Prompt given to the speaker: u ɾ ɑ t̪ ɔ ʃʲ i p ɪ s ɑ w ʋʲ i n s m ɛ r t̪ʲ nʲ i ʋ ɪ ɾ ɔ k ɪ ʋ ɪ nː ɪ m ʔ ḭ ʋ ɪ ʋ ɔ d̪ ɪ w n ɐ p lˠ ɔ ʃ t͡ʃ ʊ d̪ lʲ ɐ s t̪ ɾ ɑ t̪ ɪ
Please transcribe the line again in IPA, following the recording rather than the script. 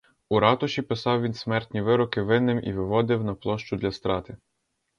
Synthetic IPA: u ɾ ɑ t̪ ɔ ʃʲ i p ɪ s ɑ w ʋʲ i n s m ɛ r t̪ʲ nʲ i ʋ ɪ ɾ ɔ k ɪ ʋ ɪ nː ɪ m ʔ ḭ ʋ ɪ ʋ ɔ d̪ ɪ w n ɐ p lˠ ɔ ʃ t͡ʃ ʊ d̪ lʲ ɐ s t̪ ɾ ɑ t̪ ɪ